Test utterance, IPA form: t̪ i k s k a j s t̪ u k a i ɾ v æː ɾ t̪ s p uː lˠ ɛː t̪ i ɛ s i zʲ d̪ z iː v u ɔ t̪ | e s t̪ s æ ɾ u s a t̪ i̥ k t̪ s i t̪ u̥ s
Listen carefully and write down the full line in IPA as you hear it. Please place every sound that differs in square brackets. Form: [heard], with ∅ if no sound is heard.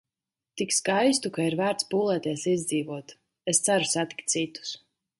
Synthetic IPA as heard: t̪ i k s k a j s t̪ u k a i ɾ v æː ɾ t̪ s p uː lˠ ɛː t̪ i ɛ s i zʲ d̪ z iː v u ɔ t̪ | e s t̪ s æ ɾ u s a t̪ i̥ k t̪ s i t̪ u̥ s